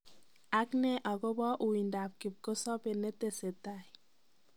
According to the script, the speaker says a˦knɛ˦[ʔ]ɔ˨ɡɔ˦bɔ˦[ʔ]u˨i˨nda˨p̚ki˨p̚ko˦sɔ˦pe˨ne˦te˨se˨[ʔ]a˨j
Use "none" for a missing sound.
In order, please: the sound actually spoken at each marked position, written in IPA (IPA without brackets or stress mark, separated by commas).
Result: ʔ, ʔ, t